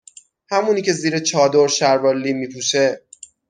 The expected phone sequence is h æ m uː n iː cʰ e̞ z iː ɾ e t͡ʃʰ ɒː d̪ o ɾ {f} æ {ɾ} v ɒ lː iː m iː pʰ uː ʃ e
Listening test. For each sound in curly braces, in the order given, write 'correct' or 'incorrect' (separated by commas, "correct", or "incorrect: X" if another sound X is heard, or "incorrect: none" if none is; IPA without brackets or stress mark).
incorrect: ʃ, correct